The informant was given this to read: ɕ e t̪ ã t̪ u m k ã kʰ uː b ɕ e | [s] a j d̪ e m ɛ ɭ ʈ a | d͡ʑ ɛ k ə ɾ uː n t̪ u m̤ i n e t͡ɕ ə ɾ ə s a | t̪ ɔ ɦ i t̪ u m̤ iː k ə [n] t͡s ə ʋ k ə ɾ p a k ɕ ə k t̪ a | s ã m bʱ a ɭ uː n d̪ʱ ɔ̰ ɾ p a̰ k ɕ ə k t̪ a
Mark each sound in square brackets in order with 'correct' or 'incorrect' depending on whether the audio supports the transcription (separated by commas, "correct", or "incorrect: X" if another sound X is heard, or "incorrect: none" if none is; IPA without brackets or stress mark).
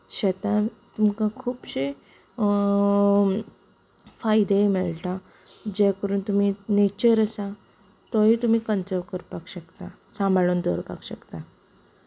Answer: incorrect: f, correct